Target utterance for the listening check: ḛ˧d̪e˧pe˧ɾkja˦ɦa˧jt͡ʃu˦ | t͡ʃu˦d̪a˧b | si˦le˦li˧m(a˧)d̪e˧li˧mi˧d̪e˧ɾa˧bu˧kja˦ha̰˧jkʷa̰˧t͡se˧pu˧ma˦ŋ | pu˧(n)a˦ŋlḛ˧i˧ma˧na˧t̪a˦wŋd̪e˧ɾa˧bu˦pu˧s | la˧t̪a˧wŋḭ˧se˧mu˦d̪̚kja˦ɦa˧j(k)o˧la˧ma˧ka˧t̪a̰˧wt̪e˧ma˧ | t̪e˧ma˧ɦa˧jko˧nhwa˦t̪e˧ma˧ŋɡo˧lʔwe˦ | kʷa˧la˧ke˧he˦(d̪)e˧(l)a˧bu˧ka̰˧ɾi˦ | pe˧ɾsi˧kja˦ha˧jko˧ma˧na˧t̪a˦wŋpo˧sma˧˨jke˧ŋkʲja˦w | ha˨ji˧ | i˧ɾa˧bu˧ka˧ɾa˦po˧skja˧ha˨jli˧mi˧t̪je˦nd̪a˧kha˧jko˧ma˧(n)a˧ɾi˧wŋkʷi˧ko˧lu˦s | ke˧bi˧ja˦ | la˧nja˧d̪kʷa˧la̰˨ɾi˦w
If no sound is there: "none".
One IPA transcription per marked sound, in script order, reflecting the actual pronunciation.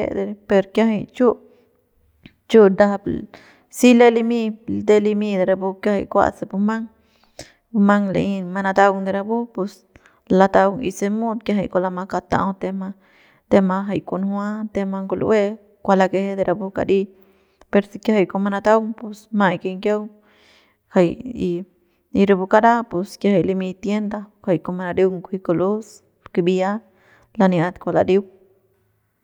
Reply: i˧, m, k, d̪, ɾ, n

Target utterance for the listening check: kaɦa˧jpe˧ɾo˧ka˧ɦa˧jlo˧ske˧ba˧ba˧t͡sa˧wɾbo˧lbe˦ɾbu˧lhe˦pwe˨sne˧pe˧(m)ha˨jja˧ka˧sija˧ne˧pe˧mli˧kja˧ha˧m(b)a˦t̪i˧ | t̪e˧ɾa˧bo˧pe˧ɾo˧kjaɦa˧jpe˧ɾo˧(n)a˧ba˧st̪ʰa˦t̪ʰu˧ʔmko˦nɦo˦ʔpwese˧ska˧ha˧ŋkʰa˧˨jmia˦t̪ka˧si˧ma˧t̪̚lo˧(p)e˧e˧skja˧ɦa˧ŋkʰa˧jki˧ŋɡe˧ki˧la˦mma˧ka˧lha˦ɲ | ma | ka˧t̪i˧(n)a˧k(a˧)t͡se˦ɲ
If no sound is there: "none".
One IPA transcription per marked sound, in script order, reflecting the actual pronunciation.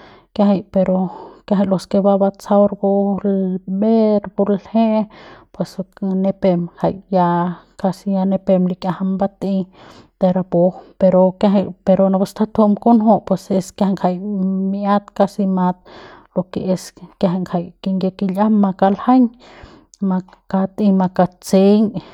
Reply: m, b, n, k, m, a˧

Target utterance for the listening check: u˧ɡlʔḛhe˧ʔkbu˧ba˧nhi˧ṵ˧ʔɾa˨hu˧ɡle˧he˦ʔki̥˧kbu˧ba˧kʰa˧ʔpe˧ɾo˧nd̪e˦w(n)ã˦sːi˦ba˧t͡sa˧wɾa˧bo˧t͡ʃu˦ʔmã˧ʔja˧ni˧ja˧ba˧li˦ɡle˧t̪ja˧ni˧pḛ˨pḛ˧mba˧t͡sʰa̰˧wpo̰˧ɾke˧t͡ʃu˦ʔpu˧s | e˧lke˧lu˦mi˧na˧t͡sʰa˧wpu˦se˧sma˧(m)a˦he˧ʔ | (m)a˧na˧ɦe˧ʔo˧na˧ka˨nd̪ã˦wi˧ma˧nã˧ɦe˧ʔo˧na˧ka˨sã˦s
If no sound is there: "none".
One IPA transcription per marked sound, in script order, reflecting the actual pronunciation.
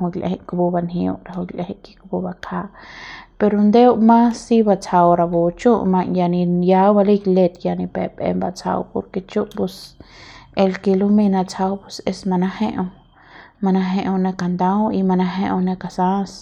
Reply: m, n, m

